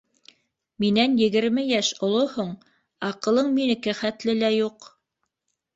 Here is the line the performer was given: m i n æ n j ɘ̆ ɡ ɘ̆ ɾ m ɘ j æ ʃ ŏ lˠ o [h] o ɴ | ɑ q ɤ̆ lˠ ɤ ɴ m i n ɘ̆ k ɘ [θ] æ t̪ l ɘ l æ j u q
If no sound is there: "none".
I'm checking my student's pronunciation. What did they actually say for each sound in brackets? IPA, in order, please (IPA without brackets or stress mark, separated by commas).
h, χ